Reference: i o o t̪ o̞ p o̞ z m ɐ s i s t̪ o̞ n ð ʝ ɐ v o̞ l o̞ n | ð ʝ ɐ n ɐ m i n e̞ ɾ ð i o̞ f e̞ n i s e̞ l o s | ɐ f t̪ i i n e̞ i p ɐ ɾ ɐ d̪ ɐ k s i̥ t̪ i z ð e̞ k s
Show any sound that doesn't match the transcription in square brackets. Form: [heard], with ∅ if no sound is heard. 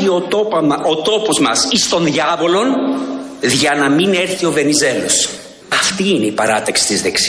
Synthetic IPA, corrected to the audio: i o o t̪ o̞ p o̞ z m ɐ s i s t̪ o̞ n ð ʝ ɐ v o̞ l o̞ n | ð ʝ ɐ n ɐ m i n e̞ ɾ [θ] i o̞ [v] e̞ n i [z] e̞ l o s | ɐ f t̪ i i n e̞ i p ɐ ɾ ɐ [t̪] ɐ k s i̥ t̪ i z ð e̞ k s